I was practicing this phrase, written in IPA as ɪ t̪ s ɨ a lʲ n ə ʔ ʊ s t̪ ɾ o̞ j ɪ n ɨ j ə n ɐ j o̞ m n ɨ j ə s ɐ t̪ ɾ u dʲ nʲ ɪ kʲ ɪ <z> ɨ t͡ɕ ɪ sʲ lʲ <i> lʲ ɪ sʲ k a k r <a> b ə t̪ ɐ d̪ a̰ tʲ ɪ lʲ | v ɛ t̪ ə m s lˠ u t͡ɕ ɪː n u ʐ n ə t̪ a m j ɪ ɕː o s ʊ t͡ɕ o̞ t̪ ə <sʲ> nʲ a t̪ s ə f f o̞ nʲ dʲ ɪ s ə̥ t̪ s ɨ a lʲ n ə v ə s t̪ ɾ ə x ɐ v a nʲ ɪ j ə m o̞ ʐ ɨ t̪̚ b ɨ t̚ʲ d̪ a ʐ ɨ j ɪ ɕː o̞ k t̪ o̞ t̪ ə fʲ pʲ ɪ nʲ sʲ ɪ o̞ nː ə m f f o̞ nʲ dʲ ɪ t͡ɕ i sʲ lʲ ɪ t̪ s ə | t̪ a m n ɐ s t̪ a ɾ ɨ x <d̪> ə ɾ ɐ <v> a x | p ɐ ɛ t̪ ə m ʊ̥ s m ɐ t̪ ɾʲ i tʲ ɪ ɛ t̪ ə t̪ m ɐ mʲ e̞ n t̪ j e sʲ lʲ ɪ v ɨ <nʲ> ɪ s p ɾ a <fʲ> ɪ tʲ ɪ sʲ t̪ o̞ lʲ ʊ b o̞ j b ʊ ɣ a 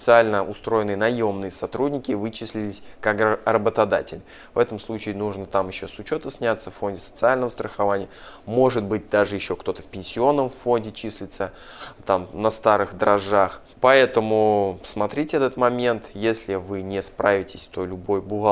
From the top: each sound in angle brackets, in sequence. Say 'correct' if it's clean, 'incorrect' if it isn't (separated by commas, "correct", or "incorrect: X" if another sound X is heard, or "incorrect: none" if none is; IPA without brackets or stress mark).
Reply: incorrect: v, incorrect: ɪ, incorrect: ə, correct, correct, incorrect: ʐ, correct, incorrect: vʲ